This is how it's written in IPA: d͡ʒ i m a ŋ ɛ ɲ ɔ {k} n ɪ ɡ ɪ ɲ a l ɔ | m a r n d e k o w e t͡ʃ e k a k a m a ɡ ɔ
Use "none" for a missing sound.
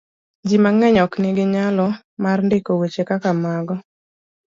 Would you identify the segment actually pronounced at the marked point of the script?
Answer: k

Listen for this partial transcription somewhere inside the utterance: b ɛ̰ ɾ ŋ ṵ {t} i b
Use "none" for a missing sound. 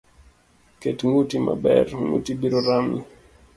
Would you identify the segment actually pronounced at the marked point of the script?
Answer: t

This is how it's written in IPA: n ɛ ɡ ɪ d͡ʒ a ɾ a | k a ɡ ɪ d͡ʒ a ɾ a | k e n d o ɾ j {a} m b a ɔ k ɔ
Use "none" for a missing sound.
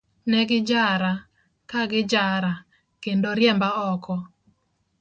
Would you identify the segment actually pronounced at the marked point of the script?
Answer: ɛ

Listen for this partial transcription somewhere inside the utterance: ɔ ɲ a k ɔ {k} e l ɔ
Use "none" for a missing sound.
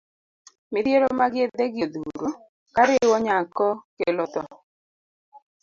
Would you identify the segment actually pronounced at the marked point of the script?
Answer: k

